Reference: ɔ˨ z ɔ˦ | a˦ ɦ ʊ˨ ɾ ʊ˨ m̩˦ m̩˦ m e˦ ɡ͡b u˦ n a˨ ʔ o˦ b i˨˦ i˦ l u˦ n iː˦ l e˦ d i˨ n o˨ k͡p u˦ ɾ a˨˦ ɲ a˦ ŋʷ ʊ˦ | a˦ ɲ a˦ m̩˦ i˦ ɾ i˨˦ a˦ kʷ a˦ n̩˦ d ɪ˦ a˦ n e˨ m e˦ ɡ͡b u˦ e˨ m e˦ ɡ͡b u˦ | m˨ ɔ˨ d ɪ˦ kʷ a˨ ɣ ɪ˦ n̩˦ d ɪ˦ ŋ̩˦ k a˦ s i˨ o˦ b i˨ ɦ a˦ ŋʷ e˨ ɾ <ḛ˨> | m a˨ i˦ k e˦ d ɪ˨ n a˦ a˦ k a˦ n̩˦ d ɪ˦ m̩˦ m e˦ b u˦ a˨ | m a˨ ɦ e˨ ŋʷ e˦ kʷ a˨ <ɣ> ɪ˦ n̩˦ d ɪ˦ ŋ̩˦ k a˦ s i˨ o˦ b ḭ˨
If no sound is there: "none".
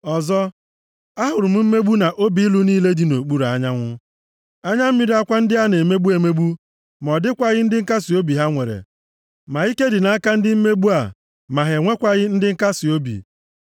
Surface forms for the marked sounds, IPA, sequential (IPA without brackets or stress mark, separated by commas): ḛ˨, ɣ